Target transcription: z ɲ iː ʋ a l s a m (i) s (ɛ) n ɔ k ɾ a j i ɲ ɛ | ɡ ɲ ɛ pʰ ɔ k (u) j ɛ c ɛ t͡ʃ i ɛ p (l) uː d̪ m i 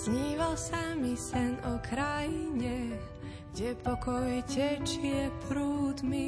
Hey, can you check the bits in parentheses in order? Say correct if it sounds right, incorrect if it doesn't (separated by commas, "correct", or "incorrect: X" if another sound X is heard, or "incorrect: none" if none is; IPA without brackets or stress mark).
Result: correct, correct, incorrect: ɔ, incorrect: ɾ